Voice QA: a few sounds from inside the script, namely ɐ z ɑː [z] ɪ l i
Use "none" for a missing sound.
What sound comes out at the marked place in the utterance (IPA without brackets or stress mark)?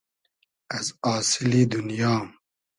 s